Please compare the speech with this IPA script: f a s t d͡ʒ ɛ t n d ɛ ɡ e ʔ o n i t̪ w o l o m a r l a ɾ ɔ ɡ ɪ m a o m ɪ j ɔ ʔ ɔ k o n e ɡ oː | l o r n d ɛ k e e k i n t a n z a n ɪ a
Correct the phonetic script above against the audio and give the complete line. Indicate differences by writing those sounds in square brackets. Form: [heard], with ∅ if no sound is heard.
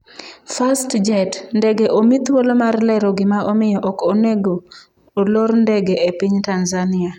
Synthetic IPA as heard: f a s t d͡ʒ ɛ t n d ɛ ɡ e ʔ o [m] i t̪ w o l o m a r l [ɛ] ɾ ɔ ɡ ɪ m a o m ɪ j ɔ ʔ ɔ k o n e ɡ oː | l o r n d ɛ [ɡ] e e [p] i [ɲ] t a n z a n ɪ a